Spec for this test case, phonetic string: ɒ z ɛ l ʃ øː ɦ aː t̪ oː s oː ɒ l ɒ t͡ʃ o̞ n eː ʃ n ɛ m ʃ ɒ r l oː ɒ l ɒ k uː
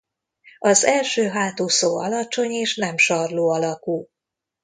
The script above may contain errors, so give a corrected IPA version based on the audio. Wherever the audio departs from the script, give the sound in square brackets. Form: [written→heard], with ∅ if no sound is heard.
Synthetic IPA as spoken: ɒ z ɛ l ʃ øː ɦ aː t̪ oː s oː ɒ l ɒ t͡ʃ o̞ [n→ɲ] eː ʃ n ɛ m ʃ ɒ r l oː ɒ l ɒ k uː